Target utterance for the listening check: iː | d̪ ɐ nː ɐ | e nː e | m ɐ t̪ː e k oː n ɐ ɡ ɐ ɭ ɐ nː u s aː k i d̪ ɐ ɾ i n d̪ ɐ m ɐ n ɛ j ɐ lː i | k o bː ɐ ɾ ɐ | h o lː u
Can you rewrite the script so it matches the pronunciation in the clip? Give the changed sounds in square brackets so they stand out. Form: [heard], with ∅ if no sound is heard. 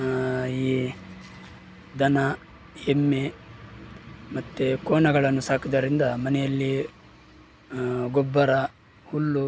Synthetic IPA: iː | d̪ ɐ [n] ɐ | e [mː] e | m ɐ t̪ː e k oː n ɐ ɡ ɐ ɭ ɐ nː u s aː k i d̪ ɐ ɾ i n d̪ ɐ m ɐ n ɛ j ɐ lː i | [ɡ] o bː ɐ ɾ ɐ | h [u] lː u